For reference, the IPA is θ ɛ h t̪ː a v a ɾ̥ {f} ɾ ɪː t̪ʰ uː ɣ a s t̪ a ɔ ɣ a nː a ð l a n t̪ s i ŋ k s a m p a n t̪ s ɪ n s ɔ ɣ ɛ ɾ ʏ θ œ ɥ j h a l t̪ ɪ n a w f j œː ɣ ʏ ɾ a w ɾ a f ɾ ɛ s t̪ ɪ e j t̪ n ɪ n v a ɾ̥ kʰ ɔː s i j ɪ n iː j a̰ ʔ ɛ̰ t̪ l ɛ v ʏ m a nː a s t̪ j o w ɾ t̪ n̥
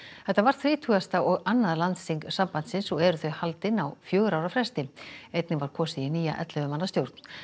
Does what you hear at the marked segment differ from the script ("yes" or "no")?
yes